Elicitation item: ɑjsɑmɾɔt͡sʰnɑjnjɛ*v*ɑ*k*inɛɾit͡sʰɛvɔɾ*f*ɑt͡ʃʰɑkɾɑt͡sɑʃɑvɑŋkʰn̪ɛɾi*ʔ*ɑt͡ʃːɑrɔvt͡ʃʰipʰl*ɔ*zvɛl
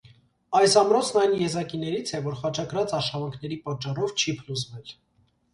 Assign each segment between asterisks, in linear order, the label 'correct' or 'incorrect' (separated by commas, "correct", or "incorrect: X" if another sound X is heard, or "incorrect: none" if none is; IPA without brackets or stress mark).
incorrect: z, correct, incorrect: χ, incorrect: p, incorrect: u